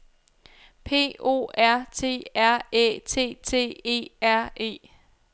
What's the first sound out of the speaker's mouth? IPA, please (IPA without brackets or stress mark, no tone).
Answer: pʰ